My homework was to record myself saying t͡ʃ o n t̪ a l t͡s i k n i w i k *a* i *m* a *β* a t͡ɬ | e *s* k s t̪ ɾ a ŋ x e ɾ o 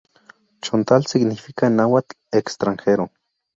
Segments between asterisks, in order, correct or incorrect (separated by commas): correct, incorrect, incorrect, incorrect